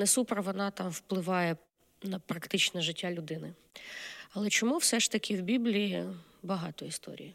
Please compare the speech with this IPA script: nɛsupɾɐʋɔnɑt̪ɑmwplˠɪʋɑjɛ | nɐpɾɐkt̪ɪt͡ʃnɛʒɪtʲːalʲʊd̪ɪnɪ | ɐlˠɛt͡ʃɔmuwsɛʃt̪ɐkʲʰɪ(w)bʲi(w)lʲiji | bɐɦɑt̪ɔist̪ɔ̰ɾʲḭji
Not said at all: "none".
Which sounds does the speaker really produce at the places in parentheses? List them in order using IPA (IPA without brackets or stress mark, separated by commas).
w, b